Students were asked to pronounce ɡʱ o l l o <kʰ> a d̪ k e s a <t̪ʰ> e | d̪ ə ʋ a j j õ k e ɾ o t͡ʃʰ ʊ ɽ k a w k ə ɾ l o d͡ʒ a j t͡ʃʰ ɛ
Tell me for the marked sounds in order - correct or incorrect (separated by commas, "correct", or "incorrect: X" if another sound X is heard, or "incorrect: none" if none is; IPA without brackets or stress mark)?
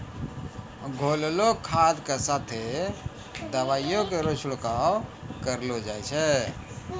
correct, correct